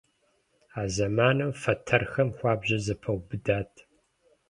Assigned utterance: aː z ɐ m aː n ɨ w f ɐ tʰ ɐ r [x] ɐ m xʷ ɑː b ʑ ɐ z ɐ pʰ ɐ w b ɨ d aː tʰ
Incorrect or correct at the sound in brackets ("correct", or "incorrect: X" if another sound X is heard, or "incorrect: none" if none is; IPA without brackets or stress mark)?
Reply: correct